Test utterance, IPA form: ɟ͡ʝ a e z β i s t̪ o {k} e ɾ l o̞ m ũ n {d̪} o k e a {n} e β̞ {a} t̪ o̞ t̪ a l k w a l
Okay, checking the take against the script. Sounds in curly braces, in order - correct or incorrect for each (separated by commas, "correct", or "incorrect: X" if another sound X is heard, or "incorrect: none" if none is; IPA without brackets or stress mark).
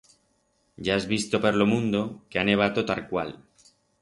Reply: incorrect: p, correct, correct, correct